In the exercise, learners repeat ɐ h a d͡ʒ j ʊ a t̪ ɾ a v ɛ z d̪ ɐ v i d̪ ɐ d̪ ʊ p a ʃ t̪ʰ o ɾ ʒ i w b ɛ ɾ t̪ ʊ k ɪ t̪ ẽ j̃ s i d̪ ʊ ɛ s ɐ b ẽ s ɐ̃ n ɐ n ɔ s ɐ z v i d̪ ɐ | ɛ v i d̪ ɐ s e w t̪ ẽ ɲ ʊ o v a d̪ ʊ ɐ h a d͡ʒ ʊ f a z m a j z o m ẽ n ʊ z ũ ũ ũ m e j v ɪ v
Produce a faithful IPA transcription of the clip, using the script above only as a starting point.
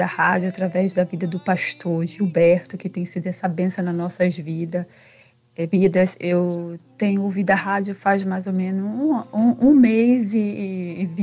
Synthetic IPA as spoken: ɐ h a d͡ʒ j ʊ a t̪ ɾ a v ɛ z d̪ ɐ v i d̪ ɐ d̪ ʊ p a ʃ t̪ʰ o ɾ ʒ i w b ɛ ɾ t̪ ʊ k ɪ t̪ ẽ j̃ s i d̪ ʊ ɛ s ɐ b ẽ s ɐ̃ n ɐ n ɔ s ɐ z v i d̪ ɐ | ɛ v i d̪ ɐ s e w t̪ ẽ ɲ ʊ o v i d̪ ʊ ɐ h a d͡ʒ ʊ f a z m a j z o m ẽ n ʊ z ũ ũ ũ m e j z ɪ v

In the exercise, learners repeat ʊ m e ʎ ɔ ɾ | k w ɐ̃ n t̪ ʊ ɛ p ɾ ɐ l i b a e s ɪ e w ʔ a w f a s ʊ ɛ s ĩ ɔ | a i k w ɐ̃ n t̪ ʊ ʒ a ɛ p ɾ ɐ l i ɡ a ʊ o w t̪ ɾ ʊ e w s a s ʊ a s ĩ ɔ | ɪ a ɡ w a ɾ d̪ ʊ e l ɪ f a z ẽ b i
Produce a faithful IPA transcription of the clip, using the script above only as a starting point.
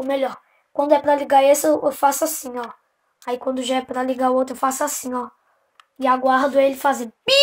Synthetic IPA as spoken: ʊ m e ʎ ɔ ɾ | k w ɐ̃ n d̪ ʊ ɛ p ɾ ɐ l i ɡ a e s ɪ e w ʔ e w f a s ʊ a s ĩ ɔ | a i k w ɐ̃ n d̪ ʊ ʒ a ɛ p ɾ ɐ l i ɡ a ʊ o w t̪ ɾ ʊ e w f a s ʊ a s ĩ ɔ | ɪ a ɡ w a ɾ d̪ ʊ e l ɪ f a z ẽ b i

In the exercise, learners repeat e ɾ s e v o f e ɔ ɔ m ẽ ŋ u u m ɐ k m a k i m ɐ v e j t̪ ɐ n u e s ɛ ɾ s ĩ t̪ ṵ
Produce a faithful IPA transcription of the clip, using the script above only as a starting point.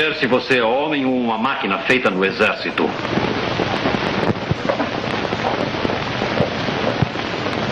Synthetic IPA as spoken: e ɾ s i v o s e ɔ ɔ m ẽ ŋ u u m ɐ m a k i n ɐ f e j t̪ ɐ n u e z ɛ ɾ s i t̪ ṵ

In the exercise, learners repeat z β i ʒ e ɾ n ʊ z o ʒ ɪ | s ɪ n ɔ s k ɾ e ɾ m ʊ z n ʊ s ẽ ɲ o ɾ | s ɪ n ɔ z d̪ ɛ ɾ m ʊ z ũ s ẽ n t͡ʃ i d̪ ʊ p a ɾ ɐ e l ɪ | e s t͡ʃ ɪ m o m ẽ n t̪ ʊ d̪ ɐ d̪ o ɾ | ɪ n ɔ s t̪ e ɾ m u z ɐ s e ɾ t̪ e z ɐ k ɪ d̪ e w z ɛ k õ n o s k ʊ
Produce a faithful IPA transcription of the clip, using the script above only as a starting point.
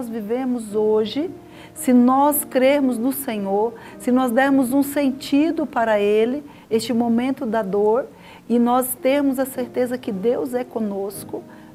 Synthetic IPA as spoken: z v i v e ɾ m ʊ z o ʒ ɪ | s ɪ n ɔ s k ɾ e ɾ m ʊ z n ʊ s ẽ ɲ o ɾ | s ɪ n ɔ z d̪ ɛ ɾ m ʊ z ũ s ẽ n t͡ʃ i d̪ ʊ p a ɾ ɐ e l ɪ | e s t͡ʃ ɪ m o m ẽ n t̪ ʊ d̪ ɐ d̪ o ɾ | ɪ n ɔ s t̪ e ɾ m ʊ z ɐ s e ɾ t̪ e z ɐ k ɪ d̪ e w z ɛ k õ n o s k ʊ

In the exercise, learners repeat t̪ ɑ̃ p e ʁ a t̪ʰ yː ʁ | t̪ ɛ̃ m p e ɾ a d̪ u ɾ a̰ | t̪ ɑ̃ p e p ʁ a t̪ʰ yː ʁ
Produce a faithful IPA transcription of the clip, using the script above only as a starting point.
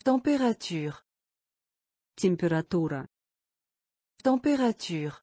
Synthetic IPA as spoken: t̪ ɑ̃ p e ʁ a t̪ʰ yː ʁ | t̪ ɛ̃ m p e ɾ a t̪ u ɾ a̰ | t̪ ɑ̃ p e ʁ a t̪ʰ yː ʁ

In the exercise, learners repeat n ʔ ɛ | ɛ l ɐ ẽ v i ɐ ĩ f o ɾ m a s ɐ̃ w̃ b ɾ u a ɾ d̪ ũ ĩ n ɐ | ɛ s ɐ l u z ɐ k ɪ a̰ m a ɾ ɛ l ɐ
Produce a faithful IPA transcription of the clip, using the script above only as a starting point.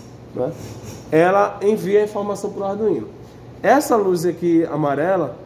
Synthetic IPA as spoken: n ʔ ɛ | ɛ l ɐ ẽ v i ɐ ĩ f o ɾ m a s ɐ̃ w̃ p ɾ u a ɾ d̪ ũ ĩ n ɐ | ɛ s ɐ l u z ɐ k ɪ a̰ m a ɾ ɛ l ɐ

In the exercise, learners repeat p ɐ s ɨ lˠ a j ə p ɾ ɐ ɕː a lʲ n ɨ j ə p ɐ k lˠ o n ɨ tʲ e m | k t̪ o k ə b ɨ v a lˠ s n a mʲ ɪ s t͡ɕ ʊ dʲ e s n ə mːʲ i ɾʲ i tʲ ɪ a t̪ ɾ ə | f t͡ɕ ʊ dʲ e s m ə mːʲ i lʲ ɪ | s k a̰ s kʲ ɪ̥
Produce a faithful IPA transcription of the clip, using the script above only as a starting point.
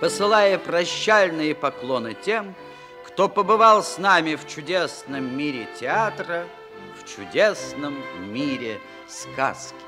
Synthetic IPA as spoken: p ə s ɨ lˠ a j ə p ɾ ɐ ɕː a lʲ n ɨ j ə p ɐ k lˠ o n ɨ tʲ e m | k t̪ o p ə b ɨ v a lˠ s n a mʲ ɪ f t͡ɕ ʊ dʲ e s n ə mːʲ i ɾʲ ɪ tʲ ɪ a t̪ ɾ ə | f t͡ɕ ʊ dʲ e s n ə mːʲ i ɾʲ ɪ | s k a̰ s kʲ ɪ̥

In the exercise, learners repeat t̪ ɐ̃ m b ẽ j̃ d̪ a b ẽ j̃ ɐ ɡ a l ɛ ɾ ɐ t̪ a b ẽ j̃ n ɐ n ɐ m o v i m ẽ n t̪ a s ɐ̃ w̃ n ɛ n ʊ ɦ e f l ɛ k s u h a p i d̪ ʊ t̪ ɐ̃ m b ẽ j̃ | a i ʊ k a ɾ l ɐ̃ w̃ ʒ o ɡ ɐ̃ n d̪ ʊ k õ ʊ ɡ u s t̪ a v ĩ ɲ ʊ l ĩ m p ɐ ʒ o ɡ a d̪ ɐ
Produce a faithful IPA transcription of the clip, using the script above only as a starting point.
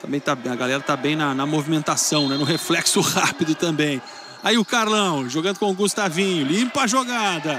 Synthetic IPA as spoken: t̪ ɐ̃ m b ẽ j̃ t̪ a b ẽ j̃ ɐ ɡ a l ɛ ɾ ɐ t̪ a b ẽ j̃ n ɐ n ɐ m o v i m ẽ n t̪ a s ɐ̃ w̃ n ɛ n ʊ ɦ e f l ɛ k s ʊ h a p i d̪ ʊ t̪ ɐ̃ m b ẽ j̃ | a i ʊ k a ɾ l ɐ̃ w̃ ʒ o ɡ ɐ̃ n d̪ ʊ k õ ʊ ɡ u s t̪ a v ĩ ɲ ʊ l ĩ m p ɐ ʒ o ɡ a d̪ ɐ

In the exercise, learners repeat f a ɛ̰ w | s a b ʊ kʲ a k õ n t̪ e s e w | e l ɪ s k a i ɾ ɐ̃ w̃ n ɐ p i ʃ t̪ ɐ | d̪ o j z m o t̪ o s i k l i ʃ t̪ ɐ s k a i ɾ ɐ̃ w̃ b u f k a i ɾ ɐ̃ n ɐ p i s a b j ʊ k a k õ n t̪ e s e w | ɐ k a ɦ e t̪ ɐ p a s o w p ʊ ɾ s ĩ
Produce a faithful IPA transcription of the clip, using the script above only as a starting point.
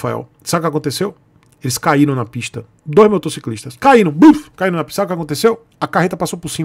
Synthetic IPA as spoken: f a ɛ̰ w | s a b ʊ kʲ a k õ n t̪ e s e w | e l ɪ s k a i ɾ ɐ̃ w̃ n ɐ p i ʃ t̪ ɐ | d̪ o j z m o t̪ o s i k l i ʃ t̪ ɐ s k a i ɾ ɐ̃ w̃ b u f k a i ɾ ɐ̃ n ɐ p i s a b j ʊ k a k õ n t̪ e s e w | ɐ k a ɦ e t̪ ɐ p a s o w p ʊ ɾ s ĩ

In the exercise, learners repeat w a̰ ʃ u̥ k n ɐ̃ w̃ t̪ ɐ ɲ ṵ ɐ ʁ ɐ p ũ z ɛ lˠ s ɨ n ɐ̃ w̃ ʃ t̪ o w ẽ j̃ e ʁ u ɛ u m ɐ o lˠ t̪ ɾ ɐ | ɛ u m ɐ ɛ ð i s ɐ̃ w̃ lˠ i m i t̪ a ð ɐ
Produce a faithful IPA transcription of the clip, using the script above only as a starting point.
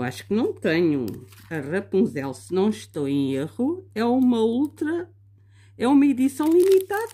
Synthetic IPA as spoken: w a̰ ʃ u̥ k n ɐ̃ w̃ t̪ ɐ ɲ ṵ ɐ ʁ ɐ p ũ z ɛ lˠ s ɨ n ɐ̃ w̃ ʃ t̪ o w ẽ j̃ e ʁ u ɛ u m ɐ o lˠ t̪ ɾ ɐ | ɛ u m ɐ i ð i s ɐ̃ w̃ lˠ i m i t̪ a ð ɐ

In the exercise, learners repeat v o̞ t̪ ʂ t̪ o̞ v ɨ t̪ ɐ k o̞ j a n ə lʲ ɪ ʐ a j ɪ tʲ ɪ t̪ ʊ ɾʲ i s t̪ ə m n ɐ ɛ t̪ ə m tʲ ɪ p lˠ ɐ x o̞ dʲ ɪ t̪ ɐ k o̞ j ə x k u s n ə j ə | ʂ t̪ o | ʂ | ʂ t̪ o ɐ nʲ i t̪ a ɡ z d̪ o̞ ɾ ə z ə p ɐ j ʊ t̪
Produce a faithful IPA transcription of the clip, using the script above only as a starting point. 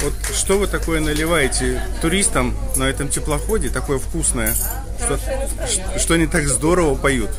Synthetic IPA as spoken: v o̞ t̪ ʂ t̪ o̞ v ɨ t̪ ɐ k o̞ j ə n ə lʲ ɪ v a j ɪ tʲ ɪ t̪ ʊ ɾʲ i s t̪ ə m n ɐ ɛ t̪ ə m tʲ ɪ p lˠ ɐ x o̞ dʲ ɪ t̪ ɐ k o̞ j ə f k u s n ə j ə | ʂ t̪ o | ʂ | ʂ t̪ o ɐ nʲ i t̪ a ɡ z d̪ o̞ ɾ ə v ə p ɐ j u t̪

